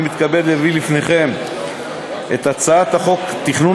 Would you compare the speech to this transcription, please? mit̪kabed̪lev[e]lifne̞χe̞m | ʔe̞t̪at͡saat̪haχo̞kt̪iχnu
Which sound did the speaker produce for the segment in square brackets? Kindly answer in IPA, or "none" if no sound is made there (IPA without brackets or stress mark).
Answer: i